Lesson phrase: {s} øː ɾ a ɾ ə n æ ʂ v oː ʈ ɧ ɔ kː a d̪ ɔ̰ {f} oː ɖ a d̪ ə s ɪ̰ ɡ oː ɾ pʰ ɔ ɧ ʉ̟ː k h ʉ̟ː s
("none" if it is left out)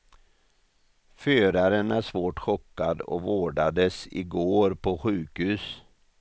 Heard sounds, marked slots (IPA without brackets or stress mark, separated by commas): f, v